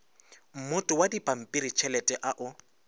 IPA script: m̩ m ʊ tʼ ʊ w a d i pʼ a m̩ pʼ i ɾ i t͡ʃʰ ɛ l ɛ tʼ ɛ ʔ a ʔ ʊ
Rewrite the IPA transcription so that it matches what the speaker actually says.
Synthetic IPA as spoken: m̩ m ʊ tʼ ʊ w a d i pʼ a m̩ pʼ i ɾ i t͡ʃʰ ɛ l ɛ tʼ ɛ ʔ a ʔ ʊ